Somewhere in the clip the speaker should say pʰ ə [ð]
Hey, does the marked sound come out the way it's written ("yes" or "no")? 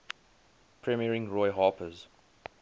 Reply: no